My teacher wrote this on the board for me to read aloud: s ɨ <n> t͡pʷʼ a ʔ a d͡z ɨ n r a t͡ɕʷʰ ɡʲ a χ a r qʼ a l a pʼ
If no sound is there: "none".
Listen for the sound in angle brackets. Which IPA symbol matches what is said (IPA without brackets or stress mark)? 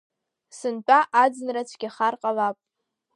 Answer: n